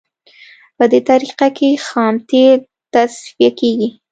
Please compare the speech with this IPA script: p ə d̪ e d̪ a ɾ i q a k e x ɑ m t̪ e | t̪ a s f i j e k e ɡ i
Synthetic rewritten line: p ə d̪ e t̪ a ɾ i q a k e x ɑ m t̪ e | t̪ a s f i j a k e ɡ i